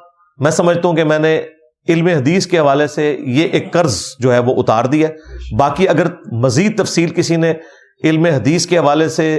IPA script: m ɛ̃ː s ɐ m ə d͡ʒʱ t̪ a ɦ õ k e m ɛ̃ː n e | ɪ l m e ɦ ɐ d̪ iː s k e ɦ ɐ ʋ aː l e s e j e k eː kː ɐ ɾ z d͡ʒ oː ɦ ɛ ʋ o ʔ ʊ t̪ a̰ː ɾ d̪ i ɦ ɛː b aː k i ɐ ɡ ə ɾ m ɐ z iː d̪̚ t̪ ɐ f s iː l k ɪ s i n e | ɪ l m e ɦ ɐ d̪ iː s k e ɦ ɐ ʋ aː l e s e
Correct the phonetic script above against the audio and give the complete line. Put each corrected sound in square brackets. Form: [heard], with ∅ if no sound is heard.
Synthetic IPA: m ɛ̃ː s ɐ m ə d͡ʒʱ t̪ a ɦ [ũ] k e m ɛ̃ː n e | ɪ l m e ɦ ɐ d̪ iː s k e ɦ ɐ ʋ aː l e s e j e [ʔ] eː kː ɐ ɾ z d͡ʒ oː ɦ ɛ ʋ o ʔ ʊ t̪ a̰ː ɾ d̪ i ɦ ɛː b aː k i ɐ ɡ ə ɾ m ɐ z iː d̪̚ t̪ ɐ f s iː l k ɪ s i n e | ɪ l m e ɦ ɐ d̪ iː s k e ɦ ɐ ʋ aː l e s e